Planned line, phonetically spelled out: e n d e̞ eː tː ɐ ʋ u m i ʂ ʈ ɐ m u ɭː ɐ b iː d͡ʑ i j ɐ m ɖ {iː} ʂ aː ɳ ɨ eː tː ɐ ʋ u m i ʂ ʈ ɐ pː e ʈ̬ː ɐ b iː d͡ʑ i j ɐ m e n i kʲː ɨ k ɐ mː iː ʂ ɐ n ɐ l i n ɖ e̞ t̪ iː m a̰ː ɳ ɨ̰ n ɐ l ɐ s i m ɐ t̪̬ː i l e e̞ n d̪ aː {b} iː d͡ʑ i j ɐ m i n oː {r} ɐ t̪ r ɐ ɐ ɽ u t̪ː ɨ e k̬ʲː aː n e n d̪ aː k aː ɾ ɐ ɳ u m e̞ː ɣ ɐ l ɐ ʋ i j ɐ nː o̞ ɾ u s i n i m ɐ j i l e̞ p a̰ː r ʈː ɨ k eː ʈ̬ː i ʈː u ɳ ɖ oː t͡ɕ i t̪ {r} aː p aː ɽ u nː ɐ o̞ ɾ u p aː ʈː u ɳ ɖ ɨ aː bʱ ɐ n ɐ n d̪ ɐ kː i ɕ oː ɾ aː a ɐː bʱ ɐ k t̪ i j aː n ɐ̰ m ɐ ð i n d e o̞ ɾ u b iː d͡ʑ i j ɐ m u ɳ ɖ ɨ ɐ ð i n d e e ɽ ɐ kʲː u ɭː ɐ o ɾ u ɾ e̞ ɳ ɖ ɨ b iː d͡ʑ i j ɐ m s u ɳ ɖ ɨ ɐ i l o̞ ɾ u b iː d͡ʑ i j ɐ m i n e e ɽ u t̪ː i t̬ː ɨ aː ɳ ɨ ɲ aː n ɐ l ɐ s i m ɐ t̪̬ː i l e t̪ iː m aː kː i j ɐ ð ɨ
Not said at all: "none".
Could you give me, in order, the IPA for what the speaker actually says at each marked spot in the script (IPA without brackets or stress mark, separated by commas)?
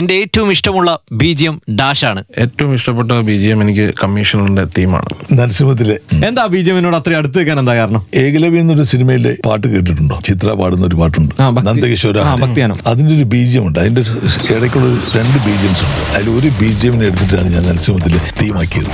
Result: aː, b, ɽ, r